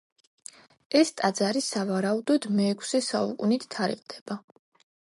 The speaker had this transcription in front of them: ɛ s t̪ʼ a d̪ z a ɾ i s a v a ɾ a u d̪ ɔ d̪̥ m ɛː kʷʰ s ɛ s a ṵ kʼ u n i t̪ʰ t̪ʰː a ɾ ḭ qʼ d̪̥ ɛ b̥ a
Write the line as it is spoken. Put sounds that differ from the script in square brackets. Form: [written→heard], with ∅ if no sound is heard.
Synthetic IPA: ɛ s t̪ʼ a d̪ z a ɾ i s a v a ɾ a u d̪ ɔ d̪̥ m ɛː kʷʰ s ɛ s a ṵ kʼ u n i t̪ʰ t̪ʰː a ɾ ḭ qʼ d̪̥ ɛ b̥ a

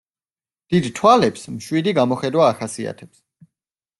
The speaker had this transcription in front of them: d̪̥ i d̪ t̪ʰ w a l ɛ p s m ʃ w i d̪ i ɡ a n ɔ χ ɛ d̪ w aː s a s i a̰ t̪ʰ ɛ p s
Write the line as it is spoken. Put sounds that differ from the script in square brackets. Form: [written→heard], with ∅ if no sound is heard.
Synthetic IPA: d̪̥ i d̪ t̪ʰ w a l ɛ p s m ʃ w i d̪ i ɡ a [n→m] ɔ χ ɛ d̪ w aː [s→χ] a s i a̰ t̪ʰ ɛ p s

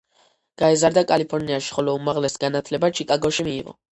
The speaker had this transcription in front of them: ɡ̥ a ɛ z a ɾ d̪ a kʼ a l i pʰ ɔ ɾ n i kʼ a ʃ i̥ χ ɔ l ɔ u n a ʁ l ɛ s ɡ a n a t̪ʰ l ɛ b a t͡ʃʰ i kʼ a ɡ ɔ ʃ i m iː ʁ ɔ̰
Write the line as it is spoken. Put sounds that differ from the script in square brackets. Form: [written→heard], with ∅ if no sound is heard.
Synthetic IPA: ɡ̥ a ɛ z a ɾ d̪ a kʼ a l i pʰ ɔ ɾ n i [kʼ→∅] a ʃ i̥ χ ɔ l ɔ u [n→m] a ʁ l ɛ s ɡ a n a t̪ʰ l ɛ b a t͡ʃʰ i kʼ a ɡ ɔ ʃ i m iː ʁ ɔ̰

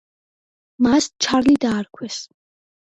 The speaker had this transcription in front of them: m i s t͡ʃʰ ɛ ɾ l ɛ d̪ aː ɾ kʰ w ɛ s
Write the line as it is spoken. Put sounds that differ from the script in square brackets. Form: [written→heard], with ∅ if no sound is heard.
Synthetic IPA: m [i→a] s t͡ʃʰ [ɛ→a] ɾ l [ɛ→i] d̪ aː ɾ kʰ w ɛ s

